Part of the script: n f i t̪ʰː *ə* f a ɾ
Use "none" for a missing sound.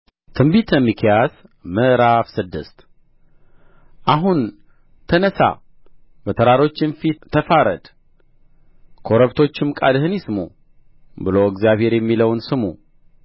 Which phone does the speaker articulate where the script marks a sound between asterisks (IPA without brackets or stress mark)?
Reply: ə